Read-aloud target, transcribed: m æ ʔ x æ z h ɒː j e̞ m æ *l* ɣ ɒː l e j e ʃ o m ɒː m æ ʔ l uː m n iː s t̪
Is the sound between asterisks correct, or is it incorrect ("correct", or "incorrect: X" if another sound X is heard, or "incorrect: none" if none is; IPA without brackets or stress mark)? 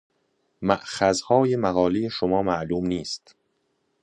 incorrect: none